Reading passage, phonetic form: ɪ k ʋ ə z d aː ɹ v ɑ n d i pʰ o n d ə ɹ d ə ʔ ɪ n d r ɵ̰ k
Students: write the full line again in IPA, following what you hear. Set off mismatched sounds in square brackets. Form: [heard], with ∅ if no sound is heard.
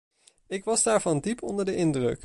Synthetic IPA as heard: ɪ k ʋ [ɑ] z d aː ɹ v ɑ n d i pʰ [ɔ] n d ə ɹ d ə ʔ ɪ n d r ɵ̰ k

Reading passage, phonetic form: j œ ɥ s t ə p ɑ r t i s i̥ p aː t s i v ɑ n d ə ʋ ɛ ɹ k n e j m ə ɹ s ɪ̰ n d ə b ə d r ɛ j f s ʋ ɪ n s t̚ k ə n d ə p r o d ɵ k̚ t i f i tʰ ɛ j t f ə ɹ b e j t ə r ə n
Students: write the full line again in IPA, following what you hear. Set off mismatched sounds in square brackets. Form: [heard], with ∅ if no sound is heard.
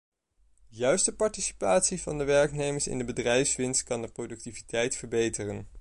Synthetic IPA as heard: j œ ɥ s t ə p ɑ [ɹ] t i s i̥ p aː t s i v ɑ n d ə ʋ ɛ ɹ k n e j m ə ɹ s ɪ̰ n d ə b ə d r ɛ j f s ʋ ɪ n s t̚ k [ɑ] n d ə p r o d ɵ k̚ t i [v] i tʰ ɛ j t f ə ɹ b e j t ə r ə n

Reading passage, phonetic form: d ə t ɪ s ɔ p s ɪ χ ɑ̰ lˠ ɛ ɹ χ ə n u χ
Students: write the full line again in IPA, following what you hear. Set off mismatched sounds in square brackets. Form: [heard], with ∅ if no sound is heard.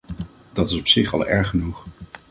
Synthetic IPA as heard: d [ɑ] t ɪ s ɔ p s ɪ χ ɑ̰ lˠ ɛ ɹ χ ə n u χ

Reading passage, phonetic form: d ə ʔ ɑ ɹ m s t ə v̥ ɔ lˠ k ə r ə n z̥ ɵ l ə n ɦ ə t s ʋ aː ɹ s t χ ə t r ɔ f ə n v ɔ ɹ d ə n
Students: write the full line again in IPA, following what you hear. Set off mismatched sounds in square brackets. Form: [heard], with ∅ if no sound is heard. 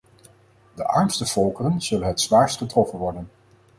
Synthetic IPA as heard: d ə ʔ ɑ ɹ m s t ə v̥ ɔ lˠ k ə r ə n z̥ ɵ l ə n ɦ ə t s ʋ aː ɹ s t χ ə t r ɔ f ə n [ʋ] ɔ ɹ d ə n

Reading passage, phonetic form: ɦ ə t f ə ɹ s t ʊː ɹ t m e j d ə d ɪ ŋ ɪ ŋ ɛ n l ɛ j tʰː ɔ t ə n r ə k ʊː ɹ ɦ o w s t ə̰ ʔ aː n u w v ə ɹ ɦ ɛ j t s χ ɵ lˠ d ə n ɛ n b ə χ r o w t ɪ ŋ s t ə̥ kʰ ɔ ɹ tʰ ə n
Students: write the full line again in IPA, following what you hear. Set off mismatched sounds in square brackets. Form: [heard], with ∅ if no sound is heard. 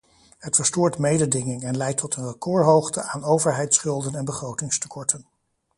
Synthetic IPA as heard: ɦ ə t f ə ɹ s t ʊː ɹ t m e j d ə d ɪ ŋ ɪ ŋ ɛ n l ɛ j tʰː ɔ t ə n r ə k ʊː ɹ ɦ o w [χ] t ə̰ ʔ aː n [o] w v ə ɹ ɦ ɛ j t s χ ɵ lˠ d ə n ɛ n b ə χ r o w t ɪ ŋ s t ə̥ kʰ ɔ ɹ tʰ ə n

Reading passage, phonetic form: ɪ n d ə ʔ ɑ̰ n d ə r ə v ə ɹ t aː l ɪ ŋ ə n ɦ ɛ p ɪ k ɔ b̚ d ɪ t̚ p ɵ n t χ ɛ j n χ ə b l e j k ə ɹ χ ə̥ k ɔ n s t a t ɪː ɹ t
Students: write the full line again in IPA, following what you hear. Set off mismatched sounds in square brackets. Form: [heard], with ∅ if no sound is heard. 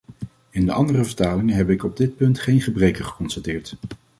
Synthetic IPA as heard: ɪ n d ə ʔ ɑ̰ n d ə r ə v ə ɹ t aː l ɪ ŋ ə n ɦ ɛ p ɪ k ɔ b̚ d ɪ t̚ p ɵ n t χ [e] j n χ ə b [r] e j k ə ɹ χ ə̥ k ɔ n s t a t ɪː ɹ t

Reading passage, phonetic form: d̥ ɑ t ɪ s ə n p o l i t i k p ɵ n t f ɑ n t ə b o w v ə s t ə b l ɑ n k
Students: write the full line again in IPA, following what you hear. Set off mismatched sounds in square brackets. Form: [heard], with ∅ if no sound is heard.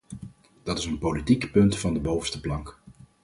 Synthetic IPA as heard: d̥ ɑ t ɪ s ə n p o l i t i k p ɵ n t f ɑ n [d] ə b o w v ə s t ə [p] l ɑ [ŋ] k

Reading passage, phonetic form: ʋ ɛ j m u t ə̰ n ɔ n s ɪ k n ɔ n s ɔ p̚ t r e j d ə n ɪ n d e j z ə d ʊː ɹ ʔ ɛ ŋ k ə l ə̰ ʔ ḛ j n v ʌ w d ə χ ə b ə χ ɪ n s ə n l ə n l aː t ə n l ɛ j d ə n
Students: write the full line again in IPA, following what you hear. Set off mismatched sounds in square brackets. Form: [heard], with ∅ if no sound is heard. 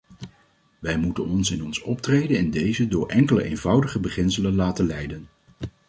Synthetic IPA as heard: ʋ ɛ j m u t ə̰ n ɔ n s ɪ [∅] n ɔ n s ɔ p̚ t r e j d ə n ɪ n d e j z ə d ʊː ɹ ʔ ɛ ŋ k ə l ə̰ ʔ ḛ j n v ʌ w d ə χ ə b ə χ ɪ n s ə [∅] l ə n l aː t ə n l ɛ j d ə n

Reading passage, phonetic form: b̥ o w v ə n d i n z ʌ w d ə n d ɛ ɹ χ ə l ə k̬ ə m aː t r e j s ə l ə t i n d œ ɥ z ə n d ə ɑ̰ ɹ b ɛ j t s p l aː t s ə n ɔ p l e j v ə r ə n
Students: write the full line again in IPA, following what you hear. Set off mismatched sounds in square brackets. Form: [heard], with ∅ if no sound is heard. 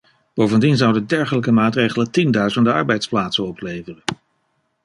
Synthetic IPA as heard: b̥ o w v ə n d i n z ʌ w d ə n d ɛ ɹ χ ə l ə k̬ ə m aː t r e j [χ] ə l ə t i n d œ ɥ z ə n d ə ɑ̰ ɹ b ɛ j t s p l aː t s ə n ɔ p l e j v ə r ə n

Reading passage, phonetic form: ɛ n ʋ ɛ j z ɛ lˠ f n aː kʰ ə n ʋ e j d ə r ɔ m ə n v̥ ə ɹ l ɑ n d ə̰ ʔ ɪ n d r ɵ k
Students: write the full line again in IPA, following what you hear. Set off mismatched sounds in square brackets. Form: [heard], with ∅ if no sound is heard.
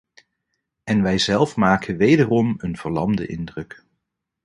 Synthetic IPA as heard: ɛ n ʋ ɛ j z ɛ lˠ f [m] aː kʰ ə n ʋ e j d ə r ɔ m ə n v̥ ə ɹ l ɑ [m] d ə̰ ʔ ɪ n d r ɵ k

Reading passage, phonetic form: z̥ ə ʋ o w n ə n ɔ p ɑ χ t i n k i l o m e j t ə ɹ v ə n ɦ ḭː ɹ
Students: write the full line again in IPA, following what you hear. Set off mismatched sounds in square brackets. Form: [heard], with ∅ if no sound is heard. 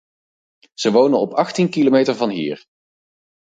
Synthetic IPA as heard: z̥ ə ʋ o w n ə n ɔ p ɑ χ t i n k i l o m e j t ə ɹ v [ɑ] n ɦ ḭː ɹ

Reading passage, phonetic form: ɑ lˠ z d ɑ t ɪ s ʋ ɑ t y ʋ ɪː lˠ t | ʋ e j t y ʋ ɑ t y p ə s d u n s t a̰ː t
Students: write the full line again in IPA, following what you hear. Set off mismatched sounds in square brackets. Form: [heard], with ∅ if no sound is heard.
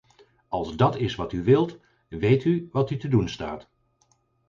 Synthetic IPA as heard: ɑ lˠ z d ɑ t ɪ s ʋ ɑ t y ʋ [ɪ] lˠ t | ʋ e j t y ʋ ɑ t y [t] ə [∅] d u n s t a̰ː t

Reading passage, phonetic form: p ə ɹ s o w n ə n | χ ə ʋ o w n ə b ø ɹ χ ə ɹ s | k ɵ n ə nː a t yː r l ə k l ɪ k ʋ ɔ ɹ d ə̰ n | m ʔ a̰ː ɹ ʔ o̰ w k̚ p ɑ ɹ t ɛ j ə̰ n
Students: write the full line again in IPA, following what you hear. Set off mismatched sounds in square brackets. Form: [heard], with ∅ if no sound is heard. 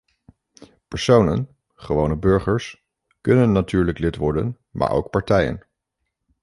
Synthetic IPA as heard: p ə ɹ s o w n ə n | χ ə ʋ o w n ə b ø ɹ χ ə ɹ s | k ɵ n ə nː a t yː [ɹ] l ə k l ɪ [t] ʋ ɔ ɹ d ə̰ n | m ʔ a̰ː ɹ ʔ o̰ w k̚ p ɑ ɹ t ɛ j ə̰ n

